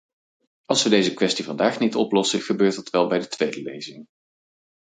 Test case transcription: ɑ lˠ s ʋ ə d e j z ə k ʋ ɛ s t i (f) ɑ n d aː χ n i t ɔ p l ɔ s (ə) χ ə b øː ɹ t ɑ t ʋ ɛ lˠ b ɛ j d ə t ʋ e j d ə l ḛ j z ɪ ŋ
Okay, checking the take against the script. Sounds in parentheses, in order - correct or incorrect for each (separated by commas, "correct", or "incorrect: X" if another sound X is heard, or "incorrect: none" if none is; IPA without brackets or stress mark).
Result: incorrect: v, correct